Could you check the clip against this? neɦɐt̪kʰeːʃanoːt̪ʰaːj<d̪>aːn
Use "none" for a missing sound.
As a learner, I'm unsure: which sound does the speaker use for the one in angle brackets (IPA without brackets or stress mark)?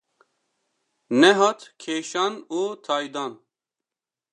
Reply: d̪